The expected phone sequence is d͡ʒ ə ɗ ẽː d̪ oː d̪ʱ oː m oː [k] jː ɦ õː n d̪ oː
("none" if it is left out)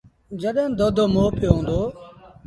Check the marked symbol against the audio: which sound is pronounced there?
p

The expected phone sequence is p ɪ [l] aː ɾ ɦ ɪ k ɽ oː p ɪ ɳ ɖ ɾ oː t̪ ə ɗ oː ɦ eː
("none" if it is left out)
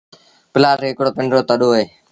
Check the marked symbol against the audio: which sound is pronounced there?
l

